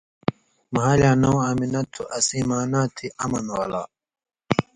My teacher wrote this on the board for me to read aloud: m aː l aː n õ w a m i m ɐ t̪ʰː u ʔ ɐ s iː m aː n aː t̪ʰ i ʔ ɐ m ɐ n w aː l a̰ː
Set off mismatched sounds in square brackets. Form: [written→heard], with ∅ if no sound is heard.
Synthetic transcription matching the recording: m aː l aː n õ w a m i [m→n] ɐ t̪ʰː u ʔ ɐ s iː m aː n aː t̪ʰ i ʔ ɐ m ɐ n w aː l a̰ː